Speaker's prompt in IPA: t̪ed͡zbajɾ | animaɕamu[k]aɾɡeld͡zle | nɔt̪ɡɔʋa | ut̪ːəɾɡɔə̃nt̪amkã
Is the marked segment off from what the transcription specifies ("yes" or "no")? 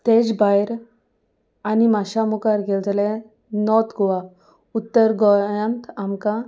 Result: no